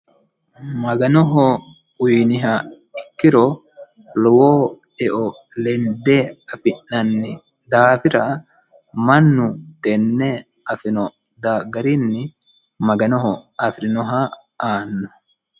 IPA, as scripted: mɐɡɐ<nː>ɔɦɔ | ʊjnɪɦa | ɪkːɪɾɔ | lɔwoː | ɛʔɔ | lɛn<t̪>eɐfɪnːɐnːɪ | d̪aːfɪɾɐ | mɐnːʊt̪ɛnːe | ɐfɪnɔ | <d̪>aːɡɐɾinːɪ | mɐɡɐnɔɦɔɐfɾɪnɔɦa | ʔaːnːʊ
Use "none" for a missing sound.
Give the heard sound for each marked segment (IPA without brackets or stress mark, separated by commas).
n, d̪, d̪